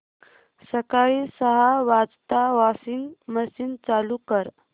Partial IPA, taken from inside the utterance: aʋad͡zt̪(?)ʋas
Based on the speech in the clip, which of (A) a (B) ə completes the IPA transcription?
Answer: A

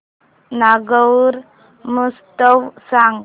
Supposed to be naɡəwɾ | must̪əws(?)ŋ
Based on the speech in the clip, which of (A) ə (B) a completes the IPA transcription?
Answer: B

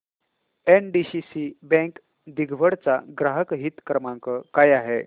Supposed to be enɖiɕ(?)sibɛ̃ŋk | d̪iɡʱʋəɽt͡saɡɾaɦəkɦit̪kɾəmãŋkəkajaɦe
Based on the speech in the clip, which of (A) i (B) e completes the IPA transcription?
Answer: A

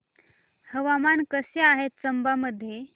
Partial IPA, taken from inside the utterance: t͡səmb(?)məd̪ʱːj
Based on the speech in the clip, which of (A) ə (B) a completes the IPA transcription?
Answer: B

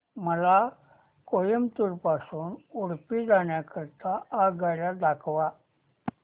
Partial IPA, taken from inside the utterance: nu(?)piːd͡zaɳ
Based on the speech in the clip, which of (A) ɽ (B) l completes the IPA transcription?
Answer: A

